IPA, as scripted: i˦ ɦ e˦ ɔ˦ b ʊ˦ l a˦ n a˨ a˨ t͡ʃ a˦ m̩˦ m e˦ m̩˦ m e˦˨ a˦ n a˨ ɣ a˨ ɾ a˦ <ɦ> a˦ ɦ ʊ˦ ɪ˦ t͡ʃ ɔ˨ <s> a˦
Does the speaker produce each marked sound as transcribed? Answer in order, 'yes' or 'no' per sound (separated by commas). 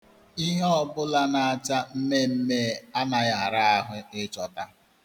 no, no